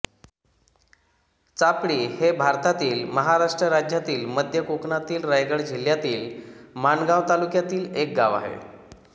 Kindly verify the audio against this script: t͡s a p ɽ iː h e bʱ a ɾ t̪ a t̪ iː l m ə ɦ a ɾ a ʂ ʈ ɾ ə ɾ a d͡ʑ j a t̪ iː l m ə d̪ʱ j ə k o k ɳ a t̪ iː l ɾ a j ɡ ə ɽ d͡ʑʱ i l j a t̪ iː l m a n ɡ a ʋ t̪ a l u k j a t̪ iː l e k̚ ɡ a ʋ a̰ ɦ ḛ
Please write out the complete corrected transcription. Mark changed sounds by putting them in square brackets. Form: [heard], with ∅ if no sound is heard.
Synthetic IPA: t͡s a p ɽ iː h e bʱ a ɾ t̪ a t̪ iː l m ə ɦ a ɾ a ʂ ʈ ɾ ə ɾ a d͡ʑ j a t̪ iː l m ə d̪ʱ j ə k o k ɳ a t̪ iː l ɾ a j ɡ ə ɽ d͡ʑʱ i l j a t̪ iː l m a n ɡ a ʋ t̪ a l u k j a t̪ iː l e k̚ ɡ a ʋ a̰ ɦ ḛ

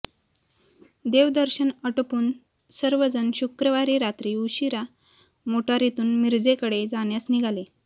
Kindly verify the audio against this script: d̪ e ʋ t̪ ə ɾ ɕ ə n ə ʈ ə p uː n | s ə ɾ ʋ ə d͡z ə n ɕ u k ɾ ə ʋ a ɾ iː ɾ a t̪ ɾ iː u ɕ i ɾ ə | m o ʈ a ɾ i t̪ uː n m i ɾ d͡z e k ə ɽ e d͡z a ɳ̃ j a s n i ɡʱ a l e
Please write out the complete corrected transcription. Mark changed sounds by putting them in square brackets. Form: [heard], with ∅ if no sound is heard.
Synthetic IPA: d̪ e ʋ [d̪] ə ɾ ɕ ə n ə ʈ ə p uː n | s ə ɾ ʋ ə d͡z ə n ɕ u k ɾ ə ʋ a ɾ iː ɾ a t̪ ɾ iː u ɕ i ɾ [a] | m o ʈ a ɾ i t̪ uː n m i ɾ d͡z e k ə ɽ e d͡z a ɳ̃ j a s n i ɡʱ a l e

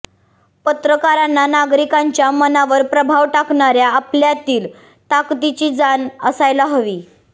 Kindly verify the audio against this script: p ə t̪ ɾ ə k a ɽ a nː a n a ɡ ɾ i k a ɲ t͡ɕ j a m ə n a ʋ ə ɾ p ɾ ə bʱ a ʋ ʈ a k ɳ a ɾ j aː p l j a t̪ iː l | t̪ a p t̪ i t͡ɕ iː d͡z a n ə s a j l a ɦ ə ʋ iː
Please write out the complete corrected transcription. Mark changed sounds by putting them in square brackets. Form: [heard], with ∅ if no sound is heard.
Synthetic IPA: p ə t̪ ɾ ə k a [ɾ] a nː a n a ɡ ɾ i k a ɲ t͡ɕ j a m ə n a ʋ ə ɾ p ɾ ə bʱ a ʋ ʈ a k ɳ a ɾ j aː p l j a t̪ iː l | t̪ a [k] t̪ i t͡ɕ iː d͡z a n ə s a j l a ɦ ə ʋ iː

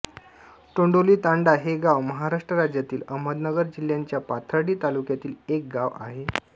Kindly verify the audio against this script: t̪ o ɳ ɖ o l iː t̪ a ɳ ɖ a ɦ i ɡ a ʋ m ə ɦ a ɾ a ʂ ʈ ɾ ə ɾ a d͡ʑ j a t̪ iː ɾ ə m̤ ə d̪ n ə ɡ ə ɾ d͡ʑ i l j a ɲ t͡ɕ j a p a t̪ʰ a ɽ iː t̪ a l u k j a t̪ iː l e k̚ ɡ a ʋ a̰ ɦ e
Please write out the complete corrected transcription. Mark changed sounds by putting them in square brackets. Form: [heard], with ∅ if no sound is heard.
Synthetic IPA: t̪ o ɳ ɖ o l iː t̪ a ɳ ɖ a ɦ [e] ɡ a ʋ m ə ɦ a ɾ a ʂ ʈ ɾ ə ɾ a d͡ʑ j a t̪ iː [l] ə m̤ ə d̪ n ə ɡ ə ɾ d͡ʑ i l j a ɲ t͡ɕ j a p a t̪ʰ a ɽ iː t̪ a l u k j a t̪ iː l e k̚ ɡ a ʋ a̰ ɦ e

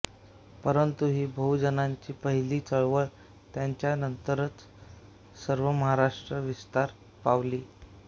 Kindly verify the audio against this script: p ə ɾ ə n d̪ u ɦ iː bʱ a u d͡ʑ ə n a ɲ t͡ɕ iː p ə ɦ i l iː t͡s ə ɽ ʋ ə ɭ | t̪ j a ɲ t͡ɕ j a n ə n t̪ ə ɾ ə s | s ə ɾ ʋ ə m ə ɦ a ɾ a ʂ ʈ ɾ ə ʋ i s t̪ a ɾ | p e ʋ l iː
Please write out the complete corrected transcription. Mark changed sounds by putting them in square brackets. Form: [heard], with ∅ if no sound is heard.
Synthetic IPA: p ə ɾ ə n [t̪] u ɦ iː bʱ [ə] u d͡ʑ ə n a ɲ t͡ɕ iː p ə ɦ i l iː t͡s ə [ɭ] ʋ ə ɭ | t̪ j a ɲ t͡ɕ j a n ə n t̪ ə ɾ ə [t͡s] | s ə ɾ ʋ ə m ə ɦ a ɾ a ʂ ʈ ɾ ə ʋ i s t̪ a ɾ | p [a] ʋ l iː

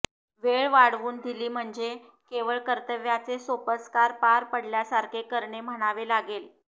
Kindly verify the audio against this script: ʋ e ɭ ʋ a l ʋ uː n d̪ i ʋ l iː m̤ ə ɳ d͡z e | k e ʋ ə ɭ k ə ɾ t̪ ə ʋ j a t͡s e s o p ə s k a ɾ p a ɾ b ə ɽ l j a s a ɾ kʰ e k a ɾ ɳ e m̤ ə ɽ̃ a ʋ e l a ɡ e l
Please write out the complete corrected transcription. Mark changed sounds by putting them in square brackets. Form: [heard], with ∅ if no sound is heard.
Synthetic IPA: ʋ e ɭ ʋ a [ɽ] ʋ uː n d̪ i [∅] l iː m̤ ə ɳ d͡z e | k e ʋ ə ɭ k ə ɾ t̪ ə ʋ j a t͡s e s o p ə s k a ɾ p a ɾ [p] ə ɽ l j a s a ɾ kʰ e k [ə] ɾ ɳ e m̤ ə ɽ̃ a ʋ e l a ɡ e l

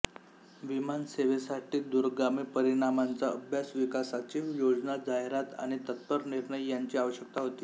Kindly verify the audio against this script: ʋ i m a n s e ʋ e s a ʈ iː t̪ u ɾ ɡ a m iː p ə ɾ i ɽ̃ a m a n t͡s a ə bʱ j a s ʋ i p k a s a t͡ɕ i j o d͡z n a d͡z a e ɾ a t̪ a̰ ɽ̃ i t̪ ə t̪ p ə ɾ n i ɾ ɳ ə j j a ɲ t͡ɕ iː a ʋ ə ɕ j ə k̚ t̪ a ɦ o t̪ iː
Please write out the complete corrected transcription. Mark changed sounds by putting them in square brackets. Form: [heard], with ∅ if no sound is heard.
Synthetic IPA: ʋ i m a n s e ʋ e s a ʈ iː [d̪] u ɾ ɡ a m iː p ə ɾ i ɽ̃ a m a n t͡s a ə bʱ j a s ʋ i [∅] k a s a t͡ɕ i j o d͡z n a d͡z a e ɾ a t̪ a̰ ɽ̃ i t̪ ə t̪ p ə ɾ n i ɾ ɳ ə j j a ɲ t͡ɕ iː a ʋ ə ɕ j ə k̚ t̪ a ɦ o t̪ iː

